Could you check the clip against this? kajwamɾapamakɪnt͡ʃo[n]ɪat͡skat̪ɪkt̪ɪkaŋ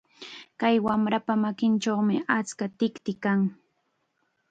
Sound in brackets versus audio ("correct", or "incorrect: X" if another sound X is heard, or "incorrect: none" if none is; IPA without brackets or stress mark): incorrect: m